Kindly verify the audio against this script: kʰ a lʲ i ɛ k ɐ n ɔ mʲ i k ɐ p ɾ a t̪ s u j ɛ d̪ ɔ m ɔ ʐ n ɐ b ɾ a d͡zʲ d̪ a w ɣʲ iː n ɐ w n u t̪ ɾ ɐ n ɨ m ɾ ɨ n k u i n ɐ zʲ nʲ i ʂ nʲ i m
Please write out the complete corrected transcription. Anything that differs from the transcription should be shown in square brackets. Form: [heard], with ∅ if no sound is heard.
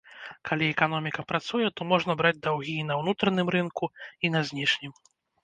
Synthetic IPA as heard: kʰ a lʲ i ɛ k [a] n ɔ mʲ i k ɐ p ɾ a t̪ s u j ɛ [t̪] ɔ m ɔ ʐ n ɐ b ɾ a d͡zʲ d̪ a w ɣʲ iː n ɐ w n u t̪ ɾ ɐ n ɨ m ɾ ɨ n k u i n ɐ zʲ nʲ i ʂ nʲ i m